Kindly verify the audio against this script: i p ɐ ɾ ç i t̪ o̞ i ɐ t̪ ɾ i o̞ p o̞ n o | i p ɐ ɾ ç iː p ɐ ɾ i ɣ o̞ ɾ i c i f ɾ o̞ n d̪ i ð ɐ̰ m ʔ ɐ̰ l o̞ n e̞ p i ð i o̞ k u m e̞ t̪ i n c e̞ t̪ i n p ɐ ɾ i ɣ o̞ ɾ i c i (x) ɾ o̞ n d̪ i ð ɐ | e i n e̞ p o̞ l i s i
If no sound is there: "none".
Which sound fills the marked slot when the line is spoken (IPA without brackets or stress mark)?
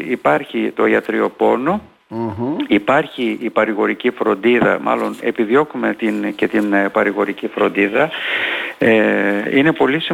f